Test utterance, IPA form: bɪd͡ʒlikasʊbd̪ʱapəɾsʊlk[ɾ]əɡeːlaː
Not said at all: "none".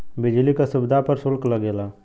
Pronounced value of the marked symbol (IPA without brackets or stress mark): l